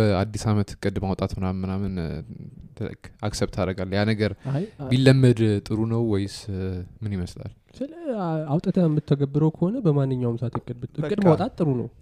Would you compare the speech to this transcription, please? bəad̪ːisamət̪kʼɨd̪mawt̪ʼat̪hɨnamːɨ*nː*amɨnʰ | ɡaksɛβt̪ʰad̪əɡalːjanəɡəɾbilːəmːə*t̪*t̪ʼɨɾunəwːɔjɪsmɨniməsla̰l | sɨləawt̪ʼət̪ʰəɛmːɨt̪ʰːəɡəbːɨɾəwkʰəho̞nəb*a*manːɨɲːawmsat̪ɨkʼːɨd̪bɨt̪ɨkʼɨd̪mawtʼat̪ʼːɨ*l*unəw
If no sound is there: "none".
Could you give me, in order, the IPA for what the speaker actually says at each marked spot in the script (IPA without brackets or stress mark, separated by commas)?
n, d̪, ə, ɾ